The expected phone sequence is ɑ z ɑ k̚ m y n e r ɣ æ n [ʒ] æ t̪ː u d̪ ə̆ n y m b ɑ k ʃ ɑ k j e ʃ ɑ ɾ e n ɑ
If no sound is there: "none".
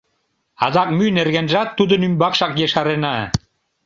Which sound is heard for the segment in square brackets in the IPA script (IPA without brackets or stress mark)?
ʒ